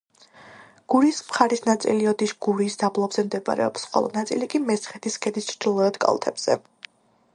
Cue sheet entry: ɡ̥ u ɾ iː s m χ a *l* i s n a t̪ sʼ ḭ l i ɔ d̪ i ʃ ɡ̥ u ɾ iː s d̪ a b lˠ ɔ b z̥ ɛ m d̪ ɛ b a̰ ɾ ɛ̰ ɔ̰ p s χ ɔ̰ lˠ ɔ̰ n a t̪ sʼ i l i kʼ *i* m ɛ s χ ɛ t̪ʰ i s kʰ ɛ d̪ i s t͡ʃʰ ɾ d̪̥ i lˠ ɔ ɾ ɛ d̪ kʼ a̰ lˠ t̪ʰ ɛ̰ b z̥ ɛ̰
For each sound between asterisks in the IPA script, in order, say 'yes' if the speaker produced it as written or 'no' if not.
no, yes

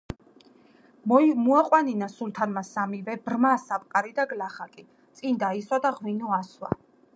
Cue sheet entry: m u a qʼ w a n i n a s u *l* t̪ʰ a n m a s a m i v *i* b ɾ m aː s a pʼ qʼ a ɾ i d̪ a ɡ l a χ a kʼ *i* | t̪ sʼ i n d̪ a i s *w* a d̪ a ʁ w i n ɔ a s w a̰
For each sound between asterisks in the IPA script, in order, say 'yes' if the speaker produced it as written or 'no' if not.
yes, no, yes, yes

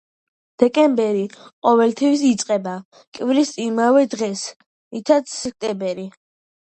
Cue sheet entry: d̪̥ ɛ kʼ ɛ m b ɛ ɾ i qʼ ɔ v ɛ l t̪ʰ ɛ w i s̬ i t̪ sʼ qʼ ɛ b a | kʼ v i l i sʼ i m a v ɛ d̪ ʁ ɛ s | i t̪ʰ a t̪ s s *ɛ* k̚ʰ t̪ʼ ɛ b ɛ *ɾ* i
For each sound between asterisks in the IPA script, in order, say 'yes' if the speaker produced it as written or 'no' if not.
yes, yes

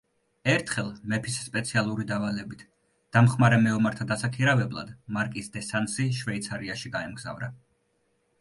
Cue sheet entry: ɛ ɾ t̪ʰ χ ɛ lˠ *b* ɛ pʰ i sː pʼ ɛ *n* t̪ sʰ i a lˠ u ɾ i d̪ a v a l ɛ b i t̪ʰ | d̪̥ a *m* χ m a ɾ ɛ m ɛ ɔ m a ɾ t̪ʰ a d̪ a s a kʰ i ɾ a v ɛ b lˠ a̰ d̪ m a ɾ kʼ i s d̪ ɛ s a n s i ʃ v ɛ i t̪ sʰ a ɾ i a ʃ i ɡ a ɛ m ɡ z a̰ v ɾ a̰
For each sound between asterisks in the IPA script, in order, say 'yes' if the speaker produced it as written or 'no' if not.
no, no, yes

